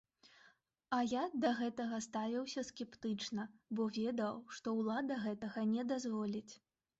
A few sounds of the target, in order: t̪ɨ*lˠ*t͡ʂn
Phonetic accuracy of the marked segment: incorrect: none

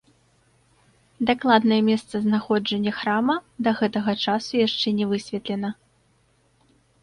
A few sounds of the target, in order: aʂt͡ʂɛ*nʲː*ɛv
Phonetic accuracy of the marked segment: incorrect: nʲ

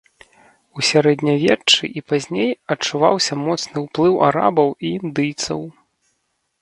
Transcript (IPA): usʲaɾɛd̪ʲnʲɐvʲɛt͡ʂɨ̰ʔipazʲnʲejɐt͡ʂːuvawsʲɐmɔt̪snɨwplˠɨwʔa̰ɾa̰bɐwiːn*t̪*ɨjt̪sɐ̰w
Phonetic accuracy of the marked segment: incorrect: d̪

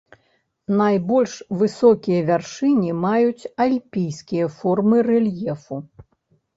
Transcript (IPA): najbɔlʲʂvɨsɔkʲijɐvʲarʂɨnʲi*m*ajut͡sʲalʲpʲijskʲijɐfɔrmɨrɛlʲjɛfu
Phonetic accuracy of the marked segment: correct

